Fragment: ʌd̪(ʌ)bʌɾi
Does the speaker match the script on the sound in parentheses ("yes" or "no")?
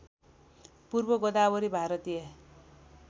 no